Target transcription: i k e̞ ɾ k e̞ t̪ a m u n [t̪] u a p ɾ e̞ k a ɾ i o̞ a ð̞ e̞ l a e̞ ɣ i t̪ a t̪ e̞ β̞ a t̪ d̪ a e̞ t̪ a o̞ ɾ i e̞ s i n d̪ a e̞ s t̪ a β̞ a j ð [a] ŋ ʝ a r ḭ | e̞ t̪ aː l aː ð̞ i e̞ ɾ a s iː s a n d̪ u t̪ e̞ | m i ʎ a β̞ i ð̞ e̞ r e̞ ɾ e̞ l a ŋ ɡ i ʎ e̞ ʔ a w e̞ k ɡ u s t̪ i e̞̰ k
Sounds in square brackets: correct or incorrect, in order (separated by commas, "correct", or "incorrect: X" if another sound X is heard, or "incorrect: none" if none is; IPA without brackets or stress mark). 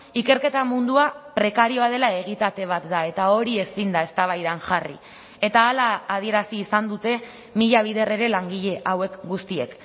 incorrect: d̪, correct